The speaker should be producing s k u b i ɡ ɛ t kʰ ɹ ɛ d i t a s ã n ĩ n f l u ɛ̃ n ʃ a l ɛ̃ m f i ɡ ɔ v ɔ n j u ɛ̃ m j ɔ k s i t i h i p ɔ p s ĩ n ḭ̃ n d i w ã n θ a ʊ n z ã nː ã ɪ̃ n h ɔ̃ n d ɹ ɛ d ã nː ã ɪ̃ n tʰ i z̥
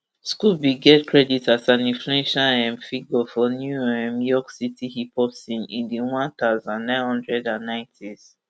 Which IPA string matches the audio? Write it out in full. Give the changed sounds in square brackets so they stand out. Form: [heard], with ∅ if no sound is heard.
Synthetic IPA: s k u b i ɡ ɛ t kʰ ɹ ɛ d i t a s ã n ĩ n f l u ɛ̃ n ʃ a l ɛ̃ m f i ɡ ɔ [f] ɔ n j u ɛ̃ m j ɔ k s i t i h i p ɔ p s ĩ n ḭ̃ n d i w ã n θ a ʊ [∅] z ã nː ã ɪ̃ n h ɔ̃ n d ɹ ɛ d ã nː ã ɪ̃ n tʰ i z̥